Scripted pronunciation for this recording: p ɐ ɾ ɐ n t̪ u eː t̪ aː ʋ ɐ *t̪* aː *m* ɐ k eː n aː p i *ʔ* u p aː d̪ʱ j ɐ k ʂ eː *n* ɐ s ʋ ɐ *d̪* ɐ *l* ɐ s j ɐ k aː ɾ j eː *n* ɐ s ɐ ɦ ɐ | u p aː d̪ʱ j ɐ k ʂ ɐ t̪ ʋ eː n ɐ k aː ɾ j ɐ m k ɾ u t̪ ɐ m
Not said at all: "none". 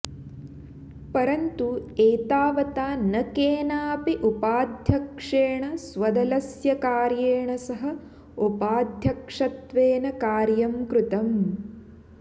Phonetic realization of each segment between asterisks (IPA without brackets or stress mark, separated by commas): t̪, n, ʔ, ɳ, d̪, l, ɳ